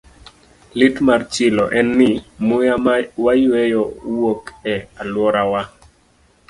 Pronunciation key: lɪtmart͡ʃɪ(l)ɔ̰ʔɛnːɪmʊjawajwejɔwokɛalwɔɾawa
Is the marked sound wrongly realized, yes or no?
no